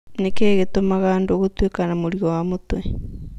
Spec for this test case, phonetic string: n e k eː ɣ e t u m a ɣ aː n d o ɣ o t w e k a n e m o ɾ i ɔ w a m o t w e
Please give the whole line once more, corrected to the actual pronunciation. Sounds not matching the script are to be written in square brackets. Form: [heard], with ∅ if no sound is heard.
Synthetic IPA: n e k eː ɣ e t [o] m a ɣ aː n d o ɣ o t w e k a n [a] m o ɾ i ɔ w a m o t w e